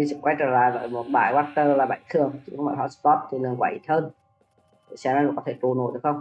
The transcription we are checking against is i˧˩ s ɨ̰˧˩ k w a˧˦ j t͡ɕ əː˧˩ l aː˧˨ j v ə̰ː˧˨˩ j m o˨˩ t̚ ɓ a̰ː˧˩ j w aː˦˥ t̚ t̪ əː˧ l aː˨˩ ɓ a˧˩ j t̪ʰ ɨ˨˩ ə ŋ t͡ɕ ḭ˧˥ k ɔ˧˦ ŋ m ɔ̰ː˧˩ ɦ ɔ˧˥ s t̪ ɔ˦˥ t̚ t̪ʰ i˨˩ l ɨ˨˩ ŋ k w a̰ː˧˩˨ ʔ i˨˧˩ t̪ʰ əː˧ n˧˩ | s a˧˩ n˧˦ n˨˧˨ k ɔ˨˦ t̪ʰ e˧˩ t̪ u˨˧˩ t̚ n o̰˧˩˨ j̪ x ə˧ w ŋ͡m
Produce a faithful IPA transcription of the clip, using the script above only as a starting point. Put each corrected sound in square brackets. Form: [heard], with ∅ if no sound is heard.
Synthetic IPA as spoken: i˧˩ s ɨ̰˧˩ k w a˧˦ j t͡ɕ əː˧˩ l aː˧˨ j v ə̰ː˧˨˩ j m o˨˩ t̚ ɓ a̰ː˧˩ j w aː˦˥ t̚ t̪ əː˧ l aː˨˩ ɓ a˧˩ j t̪ʰ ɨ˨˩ ə ŋ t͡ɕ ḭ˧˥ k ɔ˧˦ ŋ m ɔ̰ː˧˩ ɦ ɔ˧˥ s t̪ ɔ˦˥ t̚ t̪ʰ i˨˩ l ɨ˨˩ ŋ k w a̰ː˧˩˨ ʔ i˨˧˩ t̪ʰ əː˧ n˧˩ | s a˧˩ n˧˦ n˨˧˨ k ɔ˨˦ t̪ʰ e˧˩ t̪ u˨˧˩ [∅] n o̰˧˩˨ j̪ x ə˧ w ŋ͡m